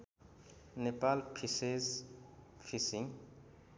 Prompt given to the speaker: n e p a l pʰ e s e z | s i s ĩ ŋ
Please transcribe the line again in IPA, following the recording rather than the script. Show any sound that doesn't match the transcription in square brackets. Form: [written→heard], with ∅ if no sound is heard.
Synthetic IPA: n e p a l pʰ [e→i] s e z | [s→f] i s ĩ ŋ